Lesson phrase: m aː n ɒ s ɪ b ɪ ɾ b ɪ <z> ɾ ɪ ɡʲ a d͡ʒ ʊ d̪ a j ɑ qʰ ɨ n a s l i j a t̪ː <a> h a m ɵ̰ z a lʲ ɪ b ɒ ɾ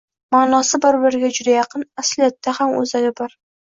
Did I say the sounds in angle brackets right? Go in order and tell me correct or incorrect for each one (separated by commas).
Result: incorrect, correct